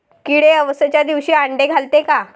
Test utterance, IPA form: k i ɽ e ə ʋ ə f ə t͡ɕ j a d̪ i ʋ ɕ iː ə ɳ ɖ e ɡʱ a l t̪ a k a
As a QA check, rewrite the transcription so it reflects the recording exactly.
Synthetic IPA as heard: k i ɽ e ə ʋ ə s ə t͡ɕ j a d̪ i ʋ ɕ iː a ɳ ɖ e ɡʱ a l t̪ e k a

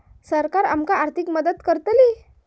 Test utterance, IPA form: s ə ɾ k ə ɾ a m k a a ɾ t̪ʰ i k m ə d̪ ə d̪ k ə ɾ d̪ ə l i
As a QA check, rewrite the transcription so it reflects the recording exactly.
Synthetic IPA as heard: s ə ɾ k a ɾ a m k a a ɾ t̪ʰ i k m ə d̪ ə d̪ k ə ɾ t̪ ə l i

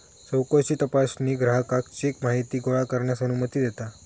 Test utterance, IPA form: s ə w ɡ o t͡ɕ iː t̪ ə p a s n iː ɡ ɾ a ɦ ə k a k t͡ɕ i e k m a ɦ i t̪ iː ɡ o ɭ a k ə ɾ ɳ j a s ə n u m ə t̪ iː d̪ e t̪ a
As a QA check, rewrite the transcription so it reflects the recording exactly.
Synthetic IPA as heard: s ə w k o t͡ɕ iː t̪ ə p a s n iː ɡ ɾ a ɦ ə k a k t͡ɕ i e k m a ɦ i t̪ iː ɡ o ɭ a k ə ɾ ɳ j a s ə n u m ə t̪ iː d̪ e t̪ a

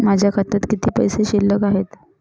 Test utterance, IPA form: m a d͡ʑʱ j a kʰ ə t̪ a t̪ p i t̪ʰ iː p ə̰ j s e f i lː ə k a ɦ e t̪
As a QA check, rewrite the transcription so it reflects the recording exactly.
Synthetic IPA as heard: m a d͡ʑʱ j a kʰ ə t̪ a t̪ k i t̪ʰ iː p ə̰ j s e ɕ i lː ə k a ɦ e t̪

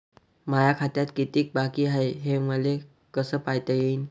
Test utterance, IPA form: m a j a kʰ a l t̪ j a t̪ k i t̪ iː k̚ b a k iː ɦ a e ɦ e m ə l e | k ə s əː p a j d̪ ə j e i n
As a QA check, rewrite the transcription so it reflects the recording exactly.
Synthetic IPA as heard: m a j a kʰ a t̪ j a t̪ k i t̪ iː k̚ b a k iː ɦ a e ɦ e m ə l e | k ə s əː p a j t̪ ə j e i n

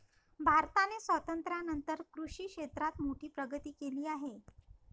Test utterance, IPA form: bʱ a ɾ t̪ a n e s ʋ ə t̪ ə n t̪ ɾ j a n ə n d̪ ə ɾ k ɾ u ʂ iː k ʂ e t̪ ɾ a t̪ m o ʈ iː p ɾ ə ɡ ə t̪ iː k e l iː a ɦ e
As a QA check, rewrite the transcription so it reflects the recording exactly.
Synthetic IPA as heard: bʱ a ɾ t̪ a n e s ʋ ə t̪ ə n t̪ ɾ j a n ə n t̪ ə ɾ k ɾ u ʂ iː k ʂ e t̪ ɾ a t̪ m o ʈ iː p ɾ ə ɡ ə t̪ iː k e l iː a ɦ e

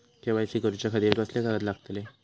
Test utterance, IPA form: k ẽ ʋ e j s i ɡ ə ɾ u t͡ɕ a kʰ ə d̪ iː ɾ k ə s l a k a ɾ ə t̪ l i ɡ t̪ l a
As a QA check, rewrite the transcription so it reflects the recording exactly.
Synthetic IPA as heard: k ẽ ʋ a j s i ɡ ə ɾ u t͡ɕ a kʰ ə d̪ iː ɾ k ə s l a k a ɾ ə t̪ l a ɡ t̪ l e

